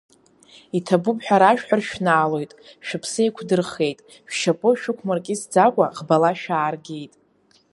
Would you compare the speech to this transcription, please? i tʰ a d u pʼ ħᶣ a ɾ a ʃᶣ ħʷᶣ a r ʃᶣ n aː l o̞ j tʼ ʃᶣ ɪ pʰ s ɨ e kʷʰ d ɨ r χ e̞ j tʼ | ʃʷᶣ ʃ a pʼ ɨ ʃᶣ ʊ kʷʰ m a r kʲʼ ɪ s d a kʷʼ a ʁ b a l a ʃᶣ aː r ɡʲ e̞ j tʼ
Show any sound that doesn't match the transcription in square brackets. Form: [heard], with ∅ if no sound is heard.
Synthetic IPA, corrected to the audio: i tʰ a [b] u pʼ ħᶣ a ɾ a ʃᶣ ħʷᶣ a r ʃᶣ n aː l o̞ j tʼ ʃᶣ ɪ pʰ s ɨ e kʷʰ d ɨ r χ e̞ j tʼ | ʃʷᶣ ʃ a pʼ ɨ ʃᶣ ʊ kʷʰ m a r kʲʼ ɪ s [d͡z] a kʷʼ a ʁ b a l a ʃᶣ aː r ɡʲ e̞ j tʼ